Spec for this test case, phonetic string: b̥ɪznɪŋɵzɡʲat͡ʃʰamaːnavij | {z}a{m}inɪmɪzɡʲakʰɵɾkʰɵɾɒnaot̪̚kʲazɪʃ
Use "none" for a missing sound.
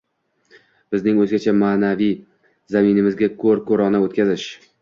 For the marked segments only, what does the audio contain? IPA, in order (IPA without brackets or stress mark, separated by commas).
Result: z, m